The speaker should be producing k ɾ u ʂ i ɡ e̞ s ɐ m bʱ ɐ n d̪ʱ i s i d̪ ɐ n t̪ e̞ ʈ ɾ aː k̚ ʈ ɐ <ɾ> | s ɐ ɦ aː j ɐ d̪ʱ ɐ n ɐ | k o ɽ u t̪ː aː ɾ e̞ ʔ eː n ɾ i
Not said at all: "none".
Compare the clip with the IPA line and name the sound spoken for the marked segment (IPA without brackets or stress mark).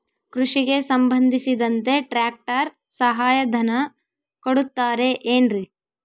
ɾ